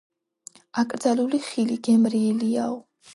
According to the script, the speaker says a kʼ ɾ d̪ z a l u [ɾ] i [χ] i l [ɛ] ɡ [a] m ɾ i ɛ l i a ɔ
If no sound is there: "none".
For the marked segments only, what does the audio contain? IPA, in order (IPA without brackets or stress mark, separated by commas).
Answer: l, χ, i, ɛ